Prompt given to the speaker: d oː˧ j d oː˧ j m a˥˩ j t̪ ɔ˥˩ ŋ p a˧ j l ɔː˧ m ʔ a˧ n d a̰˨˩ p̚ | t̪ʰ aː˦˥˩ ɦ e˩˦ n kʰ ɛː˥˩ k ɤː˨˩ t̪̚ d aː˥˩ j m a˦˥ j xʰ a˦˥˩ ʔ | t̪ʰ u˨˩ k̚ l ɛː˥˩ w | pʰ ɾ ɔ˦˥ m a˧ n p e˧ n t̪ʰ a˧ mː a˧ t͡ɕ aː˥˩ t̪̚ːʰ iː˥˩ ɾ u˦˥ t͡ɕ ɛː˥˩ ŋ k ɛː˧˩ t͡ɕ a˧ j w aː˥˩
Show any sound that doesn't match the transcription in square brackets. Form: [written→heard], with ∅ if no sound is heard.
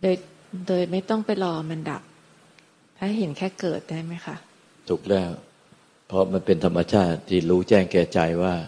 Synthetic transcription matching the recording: d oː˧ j d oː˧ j m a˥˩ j t̪ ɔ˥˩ ŋ p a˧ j l ɔː˧ m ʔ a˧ n d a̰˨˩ p̚ | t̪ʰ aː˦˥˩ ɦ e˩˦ n kʰ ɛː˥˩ k ɤː˨˩ t̪̚ d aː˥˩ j m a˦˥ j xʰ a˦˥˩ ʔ | t̪ʰ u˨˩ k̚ l ɛː˥˩ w | pʰ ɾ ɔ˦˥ m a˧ n p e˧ n t̪ʰ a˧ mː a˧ [t͡ɕ→t͡ɕʰ] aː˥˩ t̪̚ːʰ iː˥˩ ɾ [u˦˥→uː˦˥] t͡ɕ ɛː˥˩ ŋ k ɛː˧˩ t͡ɕ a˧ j w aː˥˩